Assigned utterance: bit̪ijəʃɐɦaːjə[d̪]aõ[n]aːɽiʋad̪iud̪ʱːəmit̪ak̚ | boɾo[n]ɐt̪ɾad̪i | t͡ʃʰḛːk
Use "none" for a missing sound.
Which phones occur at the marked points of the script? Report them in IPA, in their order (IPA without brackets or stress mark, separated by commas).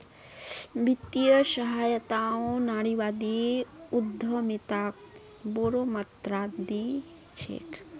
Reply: t̪, n, m